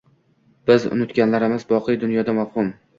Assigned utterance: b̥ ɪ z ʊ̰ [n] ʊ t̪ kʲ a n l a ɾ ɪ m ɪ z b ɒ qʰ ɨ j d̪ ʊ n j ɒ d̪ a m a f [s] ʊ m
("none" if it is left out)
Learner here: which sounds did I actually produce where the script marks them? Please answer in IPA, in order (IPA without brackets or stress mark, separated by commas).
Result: n, h